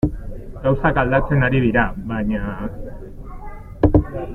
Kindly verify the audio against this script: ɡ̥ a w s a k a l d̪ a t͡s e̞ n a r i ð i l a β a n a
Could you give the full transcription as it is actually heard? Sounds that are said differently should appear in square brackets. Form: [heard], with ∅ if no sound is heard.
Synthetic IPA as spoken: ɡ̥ a w s a k a l d̪ a t͡s e̞ n a [ɾ] i ð i [ɾ] a β a [ɲ] a